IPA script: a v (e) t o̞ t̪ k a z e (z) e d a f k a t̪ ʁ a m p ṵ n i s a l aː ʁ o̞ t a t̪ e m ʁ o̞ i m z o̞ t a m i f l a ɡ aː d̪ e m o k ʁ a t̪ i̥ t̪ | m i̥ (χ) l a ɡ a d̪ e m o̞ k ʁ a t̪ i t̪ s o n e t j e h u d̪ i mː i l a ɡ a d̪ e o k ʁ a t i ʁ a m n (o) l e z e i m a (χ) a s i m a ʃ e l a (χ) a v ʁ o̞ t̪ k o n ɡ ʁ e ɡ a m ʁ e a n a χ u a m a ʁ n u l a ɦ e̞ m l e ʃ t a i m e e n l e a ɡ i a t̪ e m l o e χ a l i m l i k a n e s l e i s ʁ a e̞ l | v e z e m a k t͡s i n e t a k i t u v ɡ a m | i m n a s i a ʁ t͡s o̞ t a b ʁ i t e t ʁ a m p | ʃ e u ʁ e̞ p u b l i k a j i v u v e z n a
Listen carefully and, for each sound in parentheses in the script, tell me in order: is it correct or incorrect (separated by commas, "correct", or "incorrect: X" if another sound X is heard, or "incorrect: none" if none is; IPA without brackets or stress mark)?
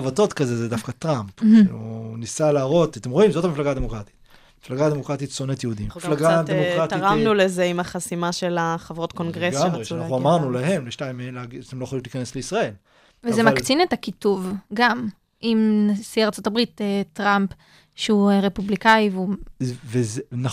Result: incorrect: a, correct, incorrect: f, incorrect: u, correct, correct